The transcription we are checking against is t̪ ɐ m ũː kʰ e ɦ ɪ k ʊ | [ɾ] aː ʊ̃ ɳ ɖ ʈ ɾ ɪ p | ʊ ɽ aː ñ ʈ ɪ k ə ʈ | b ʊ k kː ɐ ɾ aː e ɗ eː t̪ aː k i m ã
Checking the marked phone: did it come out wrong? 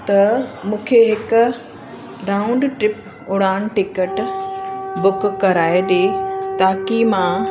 no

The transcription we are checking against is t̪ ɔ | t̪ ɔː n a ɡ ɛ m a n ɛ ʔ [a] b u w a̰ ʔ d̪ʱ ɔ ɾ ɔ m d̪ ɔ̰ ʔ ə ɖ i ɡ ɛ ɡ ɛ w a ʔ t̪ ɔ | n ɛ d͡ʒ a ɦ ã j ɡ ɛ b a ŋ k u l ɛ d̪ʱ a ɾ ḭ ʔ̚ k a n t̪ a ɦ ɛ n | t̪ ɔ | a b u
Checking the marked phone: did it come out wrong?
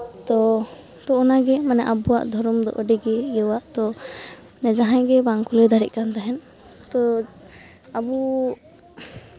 no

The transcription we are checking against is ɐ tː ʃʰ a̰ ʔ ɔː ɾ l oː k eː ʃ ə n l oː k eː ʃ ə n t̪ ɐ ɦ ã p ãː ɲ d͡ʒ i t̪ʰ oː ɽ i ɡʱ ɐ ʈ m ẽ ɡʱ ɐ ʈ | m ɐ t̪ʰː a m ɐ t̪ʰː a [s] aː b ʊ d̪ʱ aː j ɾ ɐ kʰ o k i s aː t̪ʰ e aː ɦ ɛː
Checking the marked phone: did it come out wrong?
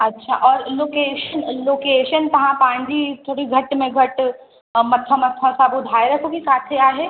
no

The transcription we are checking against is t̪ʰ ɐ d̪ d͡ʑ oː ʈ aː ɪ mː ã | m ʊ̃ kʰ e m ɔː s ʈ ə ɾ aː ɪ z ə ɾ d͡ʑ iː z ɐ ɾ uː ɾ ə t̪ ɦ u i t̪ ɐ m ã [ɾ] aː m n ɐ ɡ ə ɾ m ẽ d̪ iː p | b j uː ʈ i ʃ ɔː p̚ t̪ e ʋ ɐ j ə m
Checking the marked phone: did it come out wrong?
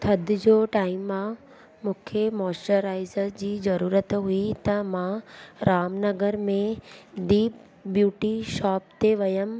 no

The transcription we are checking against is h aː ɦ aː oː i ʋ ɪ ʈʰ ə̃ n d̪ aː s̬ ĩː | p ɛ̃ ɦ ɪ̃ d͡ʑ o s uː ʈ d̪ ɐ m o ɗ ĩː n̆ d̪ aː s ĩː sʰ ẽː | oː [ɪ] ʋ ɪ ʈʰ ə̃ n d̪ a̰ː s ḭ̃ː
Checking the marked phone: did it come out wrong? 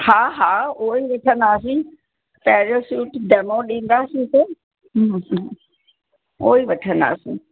yes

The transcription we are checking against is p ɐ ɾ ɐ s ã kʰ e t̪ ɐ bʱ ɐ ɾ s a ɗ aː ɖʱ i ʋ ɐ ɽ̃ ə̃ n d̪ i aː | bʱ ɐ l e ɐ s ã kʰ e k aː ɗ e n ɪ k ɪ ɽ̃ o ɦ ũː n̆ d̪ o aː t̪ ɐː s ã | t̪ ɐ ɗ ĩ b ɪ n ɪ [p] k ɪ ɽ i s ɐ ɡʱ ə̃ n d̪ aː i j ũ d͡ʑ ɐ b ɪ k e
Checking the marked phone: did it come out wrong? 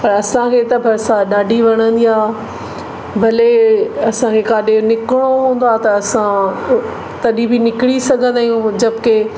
yes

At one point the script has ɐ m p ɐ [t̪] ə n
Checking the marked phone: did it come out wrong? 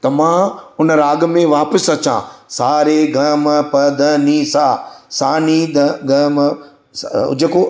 yes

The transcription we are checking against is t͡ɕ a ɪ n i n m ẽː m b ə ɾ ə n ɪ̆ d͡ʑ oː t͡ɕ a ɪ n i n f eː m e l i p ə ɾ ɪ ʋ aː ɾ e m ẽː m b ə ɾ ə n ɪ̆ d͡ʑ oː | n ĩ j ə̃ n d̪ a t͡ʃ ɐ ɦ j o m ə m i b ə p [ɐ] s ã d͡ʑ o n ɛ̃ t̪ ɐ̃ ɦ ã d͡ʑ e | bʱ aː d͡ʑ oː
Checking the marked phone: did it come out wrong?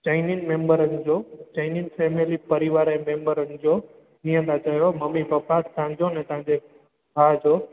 yes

